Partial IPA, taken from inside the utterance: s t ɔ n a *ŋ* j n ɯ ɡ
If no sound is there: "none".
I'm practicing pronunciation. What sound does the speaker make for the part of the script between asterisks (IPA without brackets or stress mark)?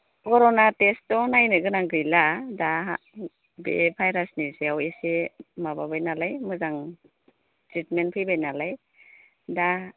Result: none